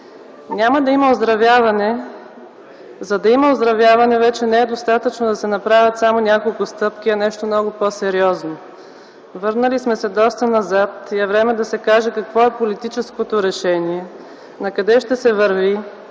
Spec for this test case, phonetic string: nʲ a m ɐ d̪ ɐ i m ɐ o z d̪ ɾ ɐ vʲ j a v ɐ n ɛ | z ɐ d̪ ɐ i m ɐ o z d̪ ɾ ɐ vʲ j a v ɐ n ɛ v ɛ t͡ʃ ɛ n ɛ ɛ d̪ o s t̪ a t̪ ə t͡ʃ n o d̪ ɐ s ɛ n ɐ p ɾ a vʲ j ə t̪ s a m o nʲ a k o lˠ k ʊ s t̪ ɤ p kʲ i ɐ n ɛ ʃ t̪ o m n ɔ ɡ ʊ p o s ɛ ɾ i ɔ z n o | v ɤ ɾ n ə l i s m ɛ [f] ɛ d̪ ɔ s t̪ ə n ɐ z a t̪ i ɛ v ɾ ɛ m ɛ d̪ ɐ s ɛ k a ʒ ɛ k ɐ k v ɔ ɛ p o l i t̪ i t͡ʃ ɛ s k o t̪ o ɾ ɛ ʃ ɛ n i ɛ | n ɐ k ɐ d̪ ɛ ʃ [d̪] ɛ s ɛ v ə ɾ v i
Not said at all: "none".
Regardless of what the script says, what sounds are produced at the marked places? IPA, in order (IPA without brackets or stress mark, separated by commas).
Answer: s, t̪